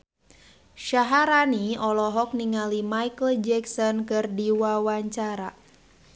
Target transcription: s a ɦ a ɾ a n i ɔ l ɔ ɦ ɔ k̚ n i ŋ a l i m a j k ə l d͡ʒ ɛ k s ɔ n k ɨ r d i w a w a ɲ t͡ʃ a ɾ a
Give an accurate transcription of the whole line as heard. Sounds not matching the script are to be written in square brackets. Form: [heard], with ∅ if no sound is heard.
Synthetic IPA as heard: [ʃ] a ɦ a ɾ a n i ɔ l ɔ ɦ ɔ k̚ n i ŋ a l i m a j k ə l d͡ʒ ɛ k s ɔ n k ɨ r d i w a w a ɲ t͡ʃ a ɾ a

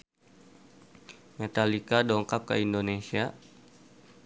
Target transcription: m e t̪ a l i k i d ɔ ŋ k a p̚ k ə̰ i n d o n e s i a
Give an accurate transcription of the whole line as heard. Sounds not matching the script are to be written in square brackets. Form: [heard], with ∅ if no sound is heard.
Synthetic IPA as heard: m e t̪ a l i k [a] d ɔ ŋ k a p̚ k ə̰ i n d o n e s i a

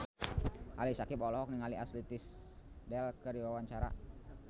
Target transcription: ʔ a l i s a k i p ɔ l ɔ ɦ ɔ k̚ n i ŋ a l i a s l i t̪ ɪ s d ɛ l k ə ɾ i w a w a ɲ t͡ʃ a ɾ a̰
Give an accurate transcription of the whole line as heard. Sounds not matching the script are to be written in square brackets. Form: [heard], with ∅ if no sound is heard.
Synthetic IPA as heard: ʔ a l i s a k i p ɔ l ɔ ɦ ɔ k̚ n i ŋ a l i a s l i t̪ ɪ s d ɛ l k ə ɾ i w a w a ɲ t͡ʃ a ɾ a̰

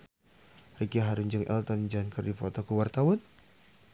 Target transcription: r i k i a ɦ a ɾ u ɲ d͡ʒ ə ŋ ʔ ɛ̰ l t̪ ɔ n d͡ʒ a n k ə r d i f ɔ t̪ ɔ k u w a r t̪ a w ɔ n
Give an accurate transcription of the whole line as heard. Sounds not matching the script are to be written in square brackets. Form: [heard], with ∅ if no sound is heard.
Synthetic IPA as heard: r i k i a ɦ a ɾ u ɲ d͡ʒ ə ŋ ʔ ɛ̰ l t̪ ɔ n d͡ʒ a n k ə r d i f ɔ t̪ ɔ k u w a r t̪ a w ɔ n

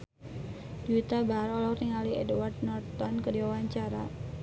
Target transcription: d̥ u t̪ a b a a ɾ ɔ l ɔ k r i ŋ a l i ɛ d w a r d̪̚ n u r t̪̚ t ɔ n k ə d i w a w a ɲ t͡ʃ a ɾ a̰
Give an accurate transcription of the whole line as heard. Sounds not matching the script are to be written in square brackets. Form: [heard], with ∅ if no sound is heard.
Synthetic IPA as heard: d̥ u t̪ a b a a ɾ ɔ l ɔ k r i ŋ a l i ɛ d w a r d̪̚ n [ɔ] r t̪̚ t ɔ n k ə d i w a w a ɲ t͡ʃ a ɾ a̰

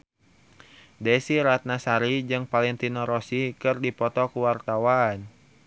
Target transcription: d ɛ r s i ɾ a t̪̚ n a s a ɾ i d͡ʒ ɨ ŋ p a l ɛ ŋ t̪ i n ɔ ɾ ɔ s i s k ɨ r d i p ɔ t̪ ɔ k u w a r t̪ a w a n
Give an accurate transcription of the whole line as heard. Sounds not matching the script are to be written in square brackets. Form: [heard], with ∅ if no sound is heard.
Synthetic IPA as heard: d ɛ [∅] s i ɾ a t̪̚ n a s a ɾ i d͡ʒ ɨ ŋ p a l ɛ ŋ t̪ i n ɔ ɾ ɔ s i [∅] k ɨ r d i p ɔ t̪ ɔ k u w a r t̪ a w a n

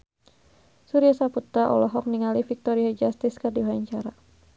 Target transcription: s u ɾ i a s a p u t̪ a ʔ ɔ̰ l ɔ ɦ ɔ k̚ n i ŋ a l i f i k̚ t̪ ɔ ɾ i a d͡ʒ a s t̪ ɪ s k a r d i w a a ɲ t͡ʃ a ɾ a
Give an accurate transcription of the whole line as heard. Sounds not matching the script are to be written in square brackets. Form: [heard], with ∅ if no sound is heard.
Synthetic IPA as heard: s u ɾ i a s a p u t̪ a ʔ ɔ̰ l ɔ ɦ ɔ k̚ n i ŋ a l i f i k̚ t̪ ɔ ɾ i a d͡ʒ a s t̪ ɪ s k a r d i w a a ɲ t͡ʃ a ɾ a

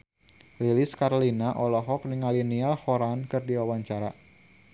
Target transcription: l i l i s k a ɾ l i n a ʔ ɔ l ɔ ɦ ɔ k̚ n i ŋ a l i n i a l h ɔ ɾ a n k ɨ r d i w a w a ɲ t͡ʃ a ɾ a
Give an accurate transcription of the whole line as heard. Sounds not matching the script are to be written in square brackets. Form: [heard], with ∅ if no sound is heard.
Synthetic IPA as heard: l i l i s k a ɾ l i n a ʔ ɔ l ɔ ɦ ɔ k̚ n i ŋ a l i n i a l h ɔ ɾ a n k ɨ r d i w a w a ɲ t͡ʃ a ɾ a

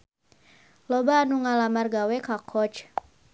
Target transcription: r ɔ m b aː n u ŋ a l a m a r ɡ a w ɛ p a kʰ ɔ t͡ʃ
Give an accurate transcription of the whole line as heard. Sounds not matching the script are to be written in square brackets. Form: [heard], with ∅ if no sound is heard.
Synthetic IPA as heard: [l] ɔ [∅] b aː n u ŋ a l a m a r ɡ a w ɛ [k] a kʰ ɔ t͡ʃ

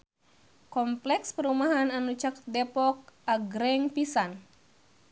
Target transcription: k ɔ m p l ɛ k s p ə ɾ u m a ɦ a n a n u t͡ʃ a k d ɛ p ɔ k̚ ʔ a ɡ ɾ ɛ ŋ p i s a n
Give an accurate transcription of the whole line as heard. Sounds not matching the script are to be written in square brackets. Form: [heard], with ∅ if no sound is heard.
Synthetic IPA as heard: k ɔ m p l ɛ k s p ə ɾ u m a ɦ a n a n u t͡ʃ a k d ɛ p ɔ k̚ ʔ a ɡ ɾ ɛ ŋ p i s a n

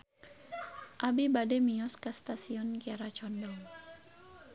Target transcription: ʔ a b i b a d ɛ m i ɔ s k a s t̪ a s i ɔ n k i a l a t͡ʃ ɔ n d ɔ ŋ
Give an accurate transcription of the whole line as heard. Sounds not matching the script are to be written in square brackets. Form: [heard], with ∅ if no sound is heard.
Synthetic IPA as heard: ʔ a b i b a d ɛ m i ɔ s k a s t̪ a s i ɔ n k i a [ɾ] a t͡ʃ ɔ n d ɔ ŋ

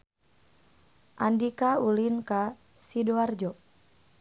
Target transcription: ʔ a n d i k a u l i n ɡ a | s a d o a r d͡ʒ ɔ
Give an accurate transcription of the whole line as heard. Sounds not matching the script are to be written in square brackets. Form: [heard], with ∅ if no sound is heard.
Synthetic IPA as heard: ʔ a n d i k a u l i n [k] a | s [i] d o a r d͡ʒ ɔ

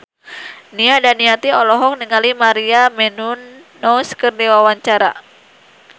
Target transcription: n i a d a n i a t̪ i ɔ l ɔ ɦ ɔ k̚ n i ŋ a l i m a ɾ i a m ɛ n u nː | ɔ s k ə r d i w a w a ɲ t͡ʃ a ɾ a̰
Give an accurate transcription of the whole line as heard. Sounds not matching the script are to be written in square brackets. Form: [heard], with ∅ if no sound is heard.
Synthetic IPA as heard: n i a d a n i a t̪ i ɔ l ɔ ɦ ɔ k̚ n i ŋ a l i m a ɾ i a m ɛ n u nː | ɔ s k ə r d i w a w a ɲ t͡ʃ a ɾ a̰

